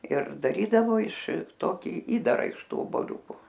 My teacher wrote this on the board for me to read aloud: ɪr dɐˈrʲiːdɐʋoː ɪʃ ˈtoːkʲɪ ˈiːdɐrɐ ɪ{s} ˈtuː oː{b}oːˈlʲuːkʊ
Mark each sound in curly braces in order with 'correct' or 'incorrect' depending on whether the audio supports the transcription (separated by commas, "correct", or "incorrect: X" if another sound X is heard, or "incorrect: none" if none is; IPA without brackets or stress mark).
incorrect: ʃ, correct